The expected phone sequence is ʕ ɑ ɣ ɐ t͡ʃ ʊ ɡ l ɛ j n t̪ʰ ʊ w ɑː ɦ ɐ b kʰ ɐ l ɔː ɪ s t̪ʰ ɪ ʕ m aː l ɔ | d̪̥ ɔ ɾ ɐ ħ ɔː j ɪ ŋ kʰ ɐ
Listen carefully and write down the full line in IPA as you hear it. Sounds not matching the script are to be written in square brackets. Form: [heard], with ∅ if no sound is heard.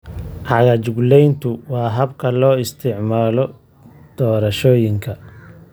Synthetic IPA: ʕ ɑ ɣ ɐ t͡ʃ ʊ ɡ l ɛ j n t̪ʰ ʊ w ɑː ɦ ɐ b kʰ ɐ l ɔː ɪ s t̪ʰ ɪ ʕ m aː l ɔ | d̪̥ [ɔː] ɾ ɐ [ʃ] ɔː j ɪ ŋ kʰ ɐ